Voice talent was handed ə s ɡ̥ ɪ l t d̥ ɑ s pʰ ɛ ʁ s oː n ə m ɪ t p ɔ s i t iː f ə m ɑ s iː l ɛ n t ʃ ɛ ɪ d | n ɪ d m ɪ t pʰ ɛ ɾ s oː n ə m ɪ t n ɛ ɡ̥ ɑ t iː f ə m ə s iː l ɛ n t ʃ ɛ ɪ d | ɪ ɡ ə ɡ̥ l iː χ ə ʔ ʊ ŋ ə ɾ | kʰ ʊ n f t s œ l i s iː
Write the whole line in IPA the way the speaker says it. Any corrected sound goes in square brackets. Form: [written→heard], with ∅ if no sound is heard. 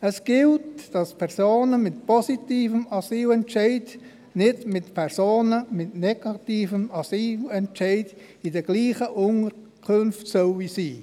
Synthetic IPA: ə s ɡ̥ ɪ l t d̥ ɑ s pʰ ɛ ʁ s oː n ə m ɪ t p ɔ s i t iː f ə m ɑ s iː l ɛ n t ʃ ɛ ɪ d | n ɪ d m ɪ t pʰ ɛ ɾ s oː n ə m ɪ t n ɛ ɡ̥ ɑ t iː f ə m [ə→ɑ] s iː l ɛ n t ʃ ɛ ɪ d | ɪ [ɡ→d] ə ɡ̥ l iː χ ə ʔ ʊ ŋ ə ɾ | kʰ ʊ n f t s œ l i s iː

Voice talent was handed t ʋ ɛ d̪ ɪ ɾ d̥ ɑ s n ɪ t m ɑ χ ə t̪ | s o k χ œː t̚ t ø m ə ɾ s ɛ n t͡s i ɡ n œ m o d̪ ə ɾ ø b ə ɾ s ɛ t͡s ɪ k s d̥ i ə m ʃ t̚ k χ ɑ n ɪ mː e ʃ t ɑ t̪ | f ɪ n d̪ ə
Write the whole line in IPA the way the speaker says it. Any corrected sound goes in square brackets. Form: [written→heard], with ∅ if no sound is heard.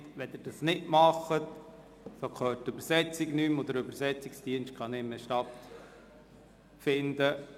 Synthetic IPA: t ʋ ɛ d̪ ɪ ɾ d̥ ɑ s n ɪ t m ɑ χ ə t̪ | s o k χ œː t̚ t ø [m→b] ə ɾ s ɛ [n→∅] t͡s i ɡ n [œ→y] m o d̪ ə ɾ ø b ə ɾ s ɛ t͡s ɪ k s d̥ i ə [m→n] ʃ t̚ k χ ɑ n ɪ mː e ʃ t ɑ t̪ | f ɪ n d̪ ə

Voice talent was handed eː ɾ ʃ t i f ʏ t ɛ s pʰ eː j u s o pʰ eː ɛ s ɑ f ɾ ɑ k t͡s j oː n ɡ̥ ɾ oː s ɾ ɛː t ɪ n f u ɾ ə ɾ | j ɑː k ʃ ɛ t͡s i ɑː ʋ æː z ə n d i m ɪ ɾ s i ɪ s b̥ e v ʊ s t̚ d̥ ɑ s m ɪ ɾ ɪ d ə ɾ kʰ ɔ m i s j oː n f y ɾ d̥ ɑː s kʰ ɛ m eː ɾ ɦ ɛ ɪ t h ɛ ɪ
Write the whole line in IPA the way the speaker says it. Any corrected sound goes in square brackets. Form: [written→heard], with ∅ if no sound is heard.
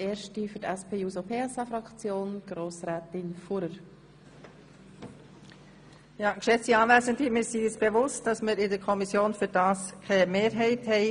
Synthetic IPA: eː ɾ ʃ t i f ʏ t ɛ s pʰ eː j u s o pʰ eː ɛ s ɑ f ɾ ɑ k t͡s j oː n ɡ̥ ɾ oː s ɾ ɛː t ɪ n f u ɾ ə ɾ | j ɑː k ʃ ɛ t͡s i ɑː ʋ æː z ə n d i m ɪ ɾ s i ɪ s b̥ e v ʊ s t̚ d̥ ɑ s m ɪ ɾ ɪ d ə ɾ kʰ ɔ m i s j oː n f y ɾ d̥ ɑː s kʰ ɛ m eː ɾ ɦ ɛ ɪ t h ɛ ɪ

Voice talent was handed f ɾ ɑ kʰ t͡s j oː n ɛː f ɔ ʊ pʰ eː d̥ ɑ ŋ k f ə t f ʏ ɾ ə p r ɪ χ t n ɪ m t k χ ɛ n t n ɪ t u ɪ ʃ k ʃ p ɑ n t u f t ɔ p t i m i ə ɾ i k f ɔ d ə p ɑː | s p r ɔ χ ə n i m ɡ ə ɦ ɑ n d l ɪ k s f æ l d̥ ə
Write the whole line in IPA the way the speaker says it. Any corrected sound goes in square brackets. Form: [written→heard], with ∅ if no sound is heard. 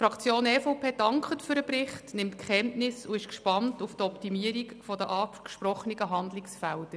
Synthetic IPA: f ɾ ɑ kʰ t͡s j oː n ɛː f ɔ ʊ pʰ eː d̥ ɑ ŋ k [f→χ] ə t f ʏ ɾ ə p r ɪ χ t n ɪ m t k χ ɛ n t n ɪ [t→s] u ɪ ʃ k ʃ p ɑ n t u f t ɔ p t i m i ə ɾ i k f ɔ d ə [p→ʔ] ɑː | [s→ʃ] p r ɔ χ ə n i [m→∅] ɡ ə ɦ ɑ n d l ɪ k s f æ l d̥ ə

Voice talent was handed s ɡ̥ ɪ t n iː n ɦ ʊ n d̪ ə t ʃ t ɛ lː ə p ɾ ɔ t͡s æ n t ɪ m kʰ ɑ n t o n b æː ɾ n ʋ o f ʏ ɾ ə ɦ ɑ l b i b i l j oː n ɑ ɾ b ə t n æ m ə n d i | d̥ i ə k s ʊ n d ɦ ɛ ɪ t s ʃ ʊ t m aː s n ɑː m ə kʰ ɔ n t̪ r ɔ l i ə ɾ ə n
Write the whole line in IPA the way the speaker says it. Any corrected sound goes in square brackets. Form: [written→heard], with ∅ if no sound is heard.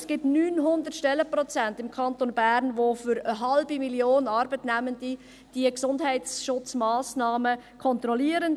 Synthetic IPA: s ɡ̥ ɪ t n [iː→yː] n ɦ ʊ n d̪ ə t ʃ t ɛ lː ə p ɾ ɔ t͡s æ n t ɪ m kʰ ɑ n t o n b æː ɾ n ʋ o f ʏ ɾ ə ɦ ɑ l b i [b→m] i l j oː n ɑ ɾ b ə t n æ m ə n d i | d̥ i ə k s ʊ n d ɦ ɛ ɪ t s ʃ ʊ [t→t͡s] m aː s n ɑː m ə kʰ ɔ n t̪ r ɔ l i ə ɾ ə n

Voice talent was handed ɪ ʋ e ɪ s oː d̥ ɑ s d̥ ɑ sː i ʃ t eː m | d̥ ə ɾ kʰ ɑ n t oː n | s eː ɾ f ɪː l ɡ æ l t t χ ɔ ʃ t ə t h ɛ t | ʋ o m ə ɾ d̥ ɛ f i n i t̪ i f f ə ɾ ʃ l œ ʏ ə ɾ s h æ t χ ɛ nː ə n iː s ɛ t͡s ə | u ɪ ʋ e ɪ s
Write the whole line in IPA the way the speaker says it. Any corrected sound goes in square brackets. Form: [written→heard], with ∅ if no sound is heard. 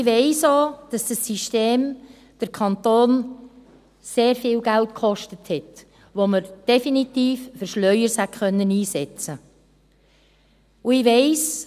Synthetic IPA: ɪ ʋ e ɪ s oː d̥ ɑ s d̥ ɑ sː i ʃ t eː m | d̥ ə ɾ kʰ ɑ n t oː n | s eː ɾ f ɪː l ɡ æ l t [t→k] χ ɔ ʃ t ə t h ɛ t | ʋ o m ə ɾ d̥ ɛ f i n i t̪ [i→iː] f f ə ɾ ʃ l œ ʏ ə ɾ s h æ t χ [ɛ→œ] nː ə n iː s ɛ t͡s ə | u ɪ ʋ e ɪ s

